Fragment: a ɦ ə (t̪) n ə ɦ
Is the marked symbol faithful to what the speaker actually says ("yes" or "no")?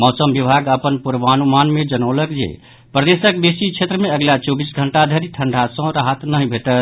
yes